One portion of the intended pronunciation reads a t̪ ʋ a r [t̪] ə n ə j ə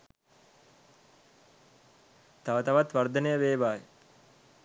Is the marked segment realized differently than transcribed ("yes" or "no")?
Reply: yes